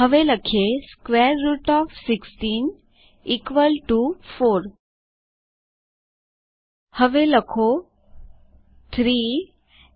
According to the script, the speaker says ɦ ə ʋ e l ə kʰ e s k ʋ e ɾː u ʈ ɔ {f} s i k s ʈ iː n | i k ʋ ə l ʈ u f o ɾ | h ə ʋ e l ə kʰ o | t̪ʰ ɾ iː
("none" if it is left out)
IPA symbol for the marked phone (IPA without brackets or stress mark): f